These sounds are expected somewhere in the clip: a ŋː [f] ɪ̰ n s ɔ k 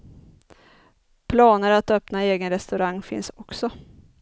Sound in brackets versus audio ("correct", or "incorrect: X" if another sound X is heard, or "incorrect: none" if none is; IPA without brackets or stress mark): correct